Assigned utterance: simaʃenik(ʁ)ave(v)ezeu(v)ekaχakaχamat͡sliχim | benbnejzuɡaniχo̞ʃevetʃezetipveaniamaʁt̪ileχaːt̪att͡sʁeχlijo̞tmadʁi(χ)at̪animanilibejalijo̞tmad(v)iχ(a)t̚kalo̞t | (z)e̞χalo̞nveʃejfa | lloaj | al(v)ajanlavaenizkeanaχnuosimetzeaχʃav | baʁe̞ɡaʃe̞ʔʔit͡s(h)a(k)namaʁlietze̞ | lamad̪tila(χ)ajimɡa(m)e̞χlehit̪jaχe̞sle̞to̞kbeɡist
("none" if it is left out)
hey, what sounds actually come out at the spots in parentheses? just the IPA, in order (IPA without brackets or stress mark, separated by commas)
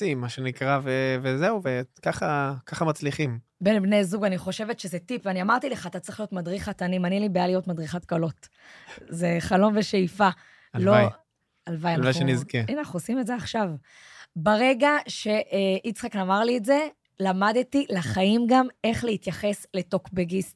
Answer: ʁ, v, v, χ, ʁ, a, z, v, χ, k, χ, m